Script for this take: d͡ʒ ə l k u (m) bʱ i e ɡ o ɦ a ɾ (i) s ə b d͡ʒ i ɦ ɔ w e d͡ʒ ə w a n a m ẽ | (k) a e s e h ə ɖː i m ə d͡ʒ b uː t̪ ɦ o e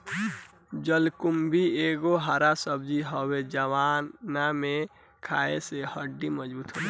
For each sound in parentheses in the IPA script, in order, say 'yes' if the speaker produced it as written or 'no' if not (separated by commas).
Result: yes, no, no